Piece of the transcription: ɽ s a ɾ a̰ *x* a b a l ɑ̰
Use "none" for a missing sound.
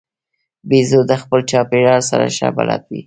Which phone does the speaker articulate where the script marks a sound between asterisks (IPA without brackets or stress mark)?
ʃ